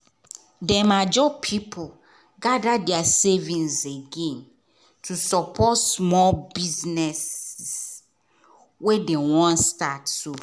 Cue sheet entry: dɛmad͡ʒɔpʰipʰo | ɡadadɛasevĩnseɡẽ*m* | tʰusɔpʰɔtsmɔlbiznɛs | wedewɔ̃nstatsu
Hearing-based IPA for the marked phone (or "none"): n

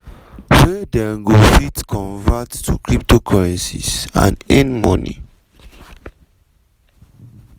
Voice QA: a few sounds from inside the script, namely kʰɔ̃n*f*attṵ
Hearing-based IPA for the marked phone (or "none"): v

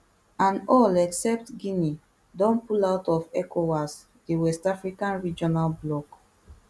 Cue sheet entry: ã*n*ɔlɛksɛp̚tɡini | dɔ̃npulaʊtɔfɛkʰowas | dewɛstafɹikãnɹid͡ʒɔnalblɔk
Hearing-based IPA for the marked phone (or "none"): n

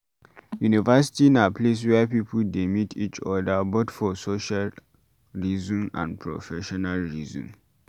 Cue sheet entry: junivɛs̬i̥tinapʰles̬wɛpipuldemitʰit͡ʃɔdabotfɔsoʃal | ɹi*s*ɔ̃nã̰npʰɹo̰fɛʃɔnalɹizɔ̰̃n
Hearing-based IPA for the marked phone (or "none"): z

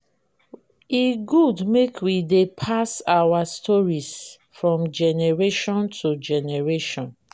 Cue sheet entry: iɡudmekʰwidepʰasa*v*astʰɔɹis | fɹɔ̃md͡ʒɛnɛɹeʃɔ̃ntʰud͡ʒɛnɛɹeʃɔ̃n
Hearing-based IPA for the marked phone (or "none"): w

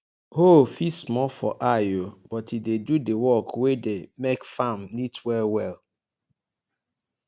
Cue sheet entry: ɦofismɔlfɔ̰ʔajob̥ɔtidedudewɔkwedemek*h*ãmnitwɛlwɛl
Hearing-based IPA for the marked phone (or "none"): f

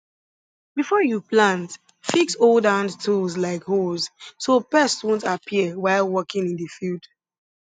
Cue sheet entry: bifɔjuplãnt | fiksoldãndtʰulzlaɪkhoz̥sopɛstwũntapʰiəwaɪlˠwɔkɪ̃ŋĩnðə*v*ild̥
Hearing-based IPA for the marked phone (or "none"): f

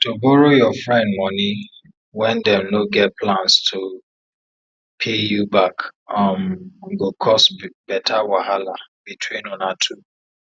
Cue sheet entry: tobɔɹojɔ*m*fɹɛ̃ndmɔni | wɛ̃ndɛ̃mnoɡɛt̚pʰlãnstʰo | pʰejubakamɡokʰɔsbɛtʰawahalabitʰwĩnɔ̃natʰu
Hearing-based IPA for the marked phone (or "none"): none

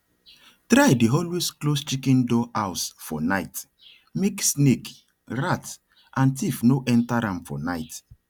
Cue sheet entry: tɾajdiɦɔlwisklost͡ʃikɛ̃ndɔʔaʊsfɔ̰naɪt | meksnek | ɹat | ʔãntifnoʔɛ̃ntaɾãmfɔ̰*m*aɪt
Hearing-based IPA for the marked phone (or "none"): n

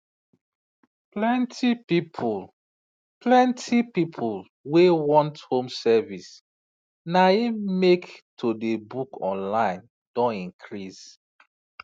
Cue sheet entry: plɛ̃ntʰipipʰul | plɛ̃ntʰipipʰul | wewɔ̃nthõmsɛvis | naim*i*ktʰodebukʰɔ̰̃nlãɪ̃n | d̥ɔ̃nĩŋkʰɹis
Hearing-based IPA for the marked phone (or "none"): e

